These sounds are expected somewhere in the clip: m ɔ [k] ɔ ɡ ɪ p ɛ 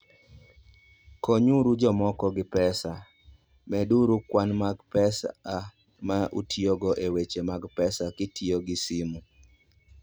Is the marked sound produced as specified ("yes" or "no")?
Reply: yes